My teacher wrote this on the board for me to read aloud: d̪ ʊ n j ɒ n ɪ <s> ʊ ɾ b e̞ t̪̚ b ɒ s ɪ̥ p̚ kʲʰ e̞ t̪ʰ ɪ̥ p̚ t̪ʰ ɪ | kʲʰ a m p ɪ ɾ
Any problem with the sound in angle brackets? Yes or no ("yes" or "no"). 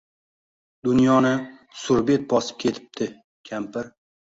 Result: no